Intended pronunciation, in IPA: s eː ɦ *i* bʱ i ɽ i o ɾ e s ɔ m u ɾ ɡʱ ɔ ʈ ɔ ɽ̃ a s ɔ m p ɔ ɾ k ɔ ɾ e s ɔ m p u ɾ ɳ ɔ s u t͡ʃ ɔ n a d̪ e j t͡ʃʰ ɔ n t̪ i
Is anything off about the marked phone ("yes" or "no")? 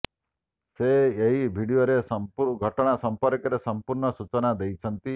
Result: no